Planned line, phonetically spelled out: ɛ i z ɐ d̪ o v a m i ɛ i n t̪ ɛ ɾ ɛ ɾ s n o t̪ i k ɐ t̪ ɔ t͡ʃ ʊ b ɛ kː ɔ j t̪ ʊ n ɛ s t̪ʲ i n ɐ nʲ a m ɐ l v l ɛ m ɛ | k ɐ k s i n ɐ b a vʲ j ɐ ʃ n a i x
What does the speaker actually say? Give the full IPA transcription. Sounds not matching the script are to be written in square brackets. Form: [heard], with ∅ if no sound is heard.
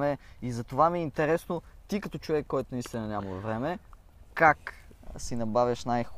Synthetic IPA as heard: ɛ i z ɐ [t̪] o v a m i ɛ i n t̪ ɛ ɾ ɛ [∅] s n o t̪ i k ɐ t̪ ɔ t͡ʃ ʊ [v] ɛ kː ɔ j t̪ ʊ n [i] s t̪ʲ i n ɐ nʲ a m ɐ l v [ɾ] ɛ m ɛ | k [a] k s i n ɐ b a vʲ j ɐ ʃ n a [j] x